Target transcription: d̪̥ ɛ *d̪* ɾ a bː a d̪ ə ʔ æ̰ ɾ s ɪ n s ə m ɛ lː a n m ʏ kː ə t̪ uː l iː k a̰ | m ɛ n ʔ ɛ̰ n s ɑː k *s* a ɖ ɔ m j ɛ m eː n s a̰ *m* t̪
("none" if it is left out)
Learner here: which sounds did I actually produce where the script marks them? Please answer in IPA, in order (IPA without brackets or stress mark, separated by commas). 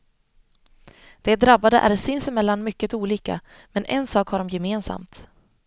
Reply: d̪, h, m